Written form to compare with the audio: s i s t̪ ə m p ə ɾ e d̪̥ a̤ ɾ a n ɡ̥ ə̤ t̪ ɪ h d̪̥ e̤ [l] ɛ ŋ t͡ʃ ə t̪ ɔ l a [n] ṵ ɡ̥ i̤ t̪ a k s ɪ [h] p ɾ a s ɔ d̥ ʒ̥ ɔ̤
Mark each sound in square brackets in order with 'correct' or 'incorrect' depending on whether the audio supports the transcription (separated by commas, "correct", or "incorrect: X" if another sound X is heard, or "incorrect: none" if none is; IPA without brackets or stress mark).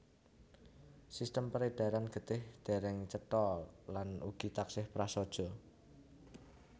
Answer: incorrect: ɾ, correct, correct